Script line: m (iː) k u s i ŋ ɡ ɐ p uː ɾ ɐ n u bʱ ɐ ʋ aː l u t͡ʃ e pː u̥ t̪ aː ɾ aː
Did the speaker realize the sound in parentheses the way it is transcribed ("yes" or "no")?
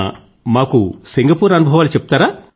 no